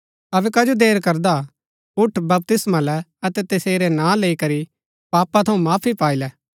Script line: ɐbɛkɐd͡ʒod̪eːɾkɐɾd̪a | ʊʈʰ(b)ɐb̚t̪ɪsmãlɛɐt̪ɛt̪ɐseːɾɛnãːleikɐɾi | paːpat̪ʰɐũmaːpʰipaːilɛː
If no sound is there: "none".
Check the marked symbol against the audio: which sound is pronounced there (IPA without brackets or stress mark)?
b